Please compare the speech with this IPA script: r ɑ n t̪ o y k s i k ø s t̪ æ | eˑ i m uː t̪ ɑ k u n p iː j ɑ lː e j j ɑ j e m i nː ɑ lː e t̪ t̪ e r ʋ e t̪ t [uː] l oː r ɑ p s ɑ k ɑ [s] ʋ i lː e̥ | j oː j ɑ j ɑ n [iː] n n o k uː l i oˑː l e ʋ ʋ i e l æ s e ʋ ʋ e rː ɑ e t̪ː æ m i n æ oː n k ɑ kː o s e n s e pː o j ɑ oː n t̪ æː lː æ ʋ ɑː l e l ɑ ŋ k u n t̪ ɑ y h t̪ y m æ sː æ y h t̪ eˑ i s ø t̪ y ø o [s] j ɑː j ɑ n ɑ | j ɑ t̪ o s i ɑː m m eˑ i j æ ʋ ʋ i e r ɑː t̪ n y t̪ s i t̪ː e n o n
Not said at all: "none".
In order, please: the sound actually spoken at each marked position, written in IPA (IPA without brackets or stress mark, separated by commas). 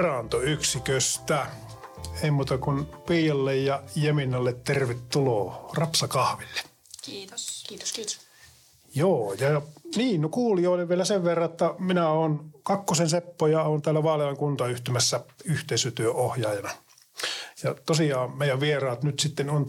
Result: u, h, iː, h